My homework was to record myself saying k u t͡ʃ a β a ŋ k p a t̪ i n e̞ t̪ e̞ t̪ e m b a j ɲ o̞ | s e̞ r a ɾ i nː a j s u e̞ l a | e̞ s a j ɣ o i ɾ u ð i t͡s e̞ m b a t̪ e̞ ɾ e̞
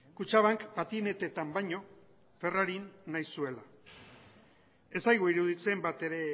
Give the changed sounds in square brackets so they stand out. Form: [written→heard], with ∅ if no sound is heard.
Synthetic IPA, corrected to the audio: k u t͡ʃ a β a ŋ k p a t̪ i n e̞ t̪ e̞ t̪ [e→a] m b a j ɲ o̞ | [s→f] e̞ r a ɾ i nː a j s u e̞ l a | e̞ s a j ɣ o i ɾ u ð i t͡s e̞ m b a t̪ e̞ ɾ e̞